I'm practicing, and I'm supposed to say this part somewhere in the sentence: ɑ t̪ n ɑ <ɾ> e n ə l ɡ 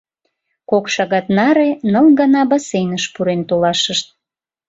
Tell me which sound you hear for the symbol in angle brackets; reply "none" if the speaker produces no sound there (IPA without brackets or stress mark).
ɾ